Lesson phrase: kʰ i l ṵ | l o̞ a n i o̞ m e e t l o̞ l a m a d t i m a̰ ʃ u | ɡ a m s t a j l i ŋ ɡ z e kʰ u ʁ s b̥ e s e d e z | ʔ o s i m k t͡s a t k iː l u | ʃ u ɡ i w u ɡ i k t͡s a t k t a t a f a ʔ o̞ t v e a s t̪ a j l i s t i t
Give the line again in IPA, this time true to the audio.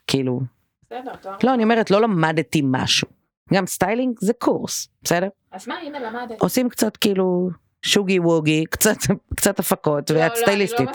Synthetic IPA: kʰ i l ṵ | l o̞ a n i o̞ m e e t l o̞ l a m a d t i m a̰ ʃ u | ɡ a m s t a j l i ŋ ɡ z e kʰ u ʁ s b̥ e s e d e ʁ | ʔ o s i m k t͡s a t k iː l u | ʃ u ɡ i w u ɡ i k t͡s a t k t͡s a t a f a k o̞ t v e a s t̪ a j l i s t i t